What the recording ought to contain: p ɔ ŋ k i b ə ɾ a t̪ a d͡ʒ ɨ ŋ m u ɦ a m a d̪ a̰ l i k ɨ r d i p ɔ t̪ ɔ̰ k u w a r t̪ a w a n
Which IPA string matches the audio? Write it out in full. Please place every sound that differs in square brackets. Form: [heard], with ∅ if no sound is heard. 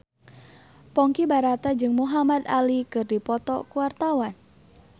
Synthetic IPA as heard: p ɔ ŋ k i b [a] ɾ a t̪ a d͡ʒ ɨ ŋ m u ɦ a m a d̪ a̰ l i k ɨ r d i p ɔ t̪ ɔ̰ k u w a r t̪ a w a n